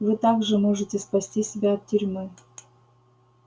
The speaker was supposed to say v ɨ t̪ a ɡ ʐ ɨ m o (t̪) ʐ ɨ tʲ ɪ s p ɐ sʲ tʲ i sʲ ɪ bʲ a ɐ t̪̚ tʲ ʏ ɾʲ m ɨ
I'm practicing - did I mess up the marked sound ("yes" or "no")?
yes